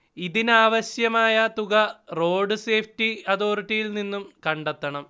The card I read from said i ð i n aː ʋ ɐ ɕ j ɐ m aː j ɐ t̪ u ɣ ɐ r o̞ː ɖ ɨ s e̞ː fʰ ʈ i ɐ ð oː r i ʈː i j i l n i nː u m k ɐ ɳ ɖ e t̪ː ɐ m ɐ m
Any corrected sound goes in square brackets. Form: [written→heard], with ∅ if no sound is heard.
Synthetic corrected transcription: i ð i n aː ʋ ɐ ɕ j ɐ m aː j ɐ t̪ u ɣ ɐ r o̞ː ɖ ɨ s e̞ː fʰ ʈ i ɐ ð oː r i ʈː i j i l n i nː u m k ɐ ɳ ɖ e t̪ː ɐ [m→ɳ] ɐ m

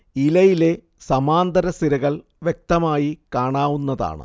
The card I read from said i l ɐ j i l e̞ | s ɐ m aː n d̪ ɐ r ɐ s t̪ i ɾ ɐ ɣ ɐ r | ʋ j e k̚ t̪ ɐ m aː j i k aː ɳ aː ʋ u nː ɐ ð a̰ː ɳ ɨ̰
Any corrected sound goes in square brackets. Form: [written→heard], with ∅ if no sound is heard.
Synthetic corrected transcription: i l ɐ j i l e̞ | s ɐ m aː n d̪ ɐ [r→ɾ] ɐ s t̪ i ɾ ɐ ɣ ɐ [r→ɭ] | ʋ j e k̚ t̪ ɐ m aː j i k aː ɳ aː ʋ u nː ɐ ð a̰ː ɳ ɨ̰

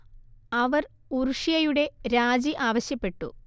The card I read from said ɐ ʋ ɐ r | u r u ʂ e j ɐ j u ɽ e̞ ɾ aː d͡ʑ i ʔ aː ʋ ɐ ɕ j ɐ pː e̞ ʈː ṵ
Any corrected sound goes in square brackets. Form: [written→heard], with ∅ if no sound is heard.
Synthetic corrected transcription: ɐ ʋ ɐ r | u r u ʂ [e→i] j ɐ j u ɽ e̞ ɾ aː d͡ʑ i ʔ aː ʋ ɐ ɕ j ɐ pː e̞ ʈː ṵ

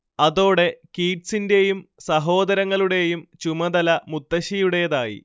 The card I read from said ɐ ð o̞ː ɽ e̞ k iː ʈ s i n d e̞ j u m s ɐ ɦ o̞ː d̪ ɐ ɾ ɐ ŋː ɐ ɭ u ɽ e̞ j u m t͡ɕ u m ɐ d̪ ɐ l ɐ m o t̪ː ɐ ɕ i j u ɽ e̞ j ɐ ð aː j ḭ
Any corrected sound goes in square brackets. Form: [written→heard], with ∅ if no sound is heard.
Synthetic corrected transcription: ɐ ð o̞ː ɽ e̞ k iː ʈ s i n d e̞ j u m s ɐ ɦ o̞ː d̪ ɐ ɾ ɐ ŋː ɐ ɭ u ɽ e̞ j u m t͡ɕ u m ɐ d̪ ɐ l ɐ m [o→u] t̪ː ɐ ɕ i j u ɽ e̞ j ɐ ð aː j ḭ

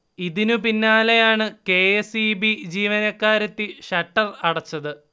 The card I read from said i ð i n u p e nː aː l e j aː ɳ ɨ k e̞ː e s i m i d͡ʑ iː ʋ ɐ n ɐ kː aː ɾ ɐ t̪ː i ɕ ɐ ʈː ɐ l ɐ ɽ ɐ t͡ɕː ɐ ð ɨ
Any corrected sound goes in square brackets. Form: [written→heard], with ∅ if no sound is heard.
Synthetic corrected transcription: i ð i n u p [e→i] nː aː l e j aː ɳ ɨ k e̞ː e s i [m→b] i d͡ʑ iː ʋ ɐ n ɐ kː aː ɾ ɐ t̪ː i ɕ ɐ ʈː ɐ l ɐ ɽ ɐ t͡ɕː ɐ ð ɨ

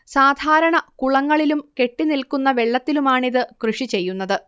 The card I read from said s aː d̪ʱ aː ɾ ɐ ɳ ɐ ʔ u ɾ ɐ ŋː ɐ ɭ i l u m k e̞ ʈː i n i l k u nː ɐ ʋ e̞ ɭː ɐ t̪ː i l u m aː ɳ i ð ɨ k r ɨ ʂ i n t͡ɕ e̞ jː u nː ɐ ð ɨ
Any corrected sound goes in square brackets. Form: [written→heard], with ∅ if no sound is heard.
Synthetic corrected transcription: s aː d̪ʱ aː ɾ ɐ ɳ ɐ [ʔ→k] u [ɾ→ɭ] ɐ ŋː ɐ ɭ i l u m k e̞ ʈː i n i l k u nː ɐ ʋ e̞ ɭː ɐ t̪ː i l u m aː ɳ i ð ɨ k r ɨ ʂ i [n→∅] t͡ɕ e̞ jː u nː ɐ ð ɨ

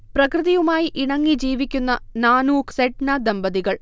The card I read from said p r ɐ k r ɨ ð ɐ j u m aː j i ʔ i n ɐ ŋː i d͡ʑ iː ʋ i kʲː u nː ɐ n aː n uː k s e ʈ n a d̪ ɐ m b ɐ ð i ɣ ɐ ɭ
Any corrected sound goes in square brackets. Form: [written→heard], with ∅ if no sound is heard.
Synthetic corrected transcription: p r ɐ k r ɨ ð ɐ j u m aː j i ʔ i [n→ɳ] ɐ ŋː i d͡ʑ iː ʋ i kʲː u nː ɐ n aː n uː k s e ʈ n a d̪ ɐ m b ɐ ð i ɣ ɐ ɭ

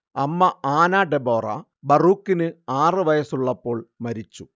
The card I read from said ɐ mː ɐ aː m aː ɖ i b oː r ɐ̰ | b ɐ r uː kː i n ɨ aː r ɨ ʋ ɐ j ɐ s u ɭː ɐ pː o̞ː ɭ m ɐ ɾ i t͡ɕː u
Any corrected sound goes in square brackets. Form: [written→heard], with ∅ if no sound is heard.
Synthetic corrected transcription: ɐ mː ɐ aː [m→n] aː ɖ [i→e] b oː r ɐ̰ | b ɐ r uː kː i n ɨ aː r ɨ ʋ ɐ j ɐ s u ɭː ɐ pː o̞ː ɭ m ɐ ɾ i t͡ɕː u

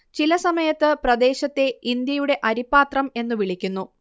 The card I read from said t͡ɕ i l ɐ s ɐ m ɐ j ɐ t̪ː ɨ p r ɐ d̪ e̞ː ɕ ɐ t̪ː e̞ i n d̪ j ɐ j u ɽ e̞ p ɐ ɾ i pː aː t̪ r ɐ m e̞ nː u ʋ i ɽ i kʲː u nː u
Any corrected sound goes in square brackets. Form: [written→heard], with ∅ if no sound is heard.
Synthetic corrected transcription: t͡ɕ i l ɐ s ɐ m ɐ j ɐ t̪ː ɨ p r ɐ d̪ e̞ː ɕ ɐ t̪ː e̞ i n d̪ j ɐ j u ɽ e̞ [p→ʔ] ɐ ɾ i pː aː t̪ r ɐ m e̞ nː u ʋ i [ɽ→ɭ] i kʲː u nː u

